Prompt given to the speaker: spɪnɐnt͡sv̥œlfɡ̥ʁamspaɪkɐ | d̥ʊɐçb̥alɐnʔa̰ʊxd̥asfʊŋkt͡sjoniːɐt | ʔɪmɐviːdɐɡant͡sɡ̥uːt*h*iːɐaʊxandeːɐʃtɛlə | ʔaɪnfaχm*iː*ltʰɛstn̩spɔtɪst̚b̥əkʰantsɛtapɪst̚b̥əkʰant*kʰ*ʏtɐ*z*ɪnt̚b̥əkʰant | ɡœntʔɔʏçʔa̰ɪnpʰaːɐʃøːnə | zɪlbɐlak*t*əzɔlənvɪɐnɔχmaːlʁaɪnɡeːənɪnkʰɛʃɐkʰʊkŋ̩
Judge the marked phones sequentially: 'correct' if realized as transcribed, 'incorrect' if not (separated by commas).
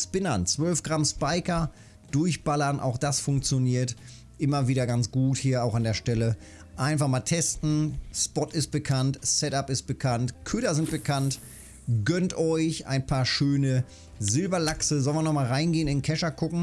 correct, incorrect, correct, correct, incorrect